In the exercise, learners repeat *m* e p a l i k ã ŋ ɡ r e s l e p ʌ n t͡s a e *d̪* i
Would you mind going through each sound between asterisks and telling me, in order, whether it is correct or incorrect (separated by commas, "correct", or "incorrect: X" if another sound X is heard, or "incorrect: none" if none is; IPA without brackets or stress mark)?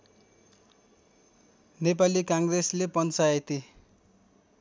incorrect: n, incorrect: t̪